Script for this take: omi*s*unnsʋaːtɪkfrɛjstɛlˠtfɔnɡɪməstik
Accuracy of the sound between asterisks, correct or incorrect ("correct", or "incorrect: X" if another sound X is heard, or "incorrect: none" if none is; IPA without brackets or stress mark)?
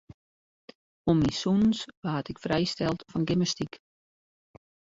correct